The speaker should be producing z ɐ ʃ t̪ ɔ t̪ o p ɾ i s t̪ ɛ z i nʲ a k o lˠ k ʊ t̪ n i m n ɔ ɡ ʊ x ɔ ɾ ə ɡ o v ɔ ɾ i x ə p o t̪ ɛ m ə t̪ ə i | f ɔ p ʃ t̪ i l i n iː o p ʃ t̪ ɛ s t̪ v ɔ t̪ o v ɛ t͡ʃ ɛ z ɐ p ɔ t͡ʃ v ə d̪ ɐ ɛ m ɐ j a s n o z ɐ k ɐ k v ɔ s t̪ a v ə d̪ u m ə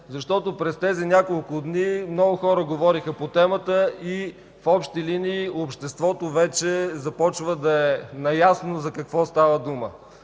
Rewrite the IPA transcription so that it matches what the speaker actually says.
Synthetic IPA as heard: z ɐ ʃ t̪ ɔ t̪ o p ɾ ɛ s t̪ ɛ z i nʲ a k o lˠ k ʊ d̪ n i m n ɔ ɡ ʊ x ɔ ɾ ə ɡ o v ɔ ɾ i x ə p o t̪ ɛ m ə t̪ ə i | f ɔ p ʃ t̪ i l i n iː o p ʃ t̪ ɛ s t̪ v ɔ t̪ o v ɛ t͡ʃ ɛ z ɐ p ɔ t͡ʃ v ə d̪ ɐ ɛ n ɐ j a s n o z ɐ k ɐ k v ɔ s t̪ a v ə d̪ u m ə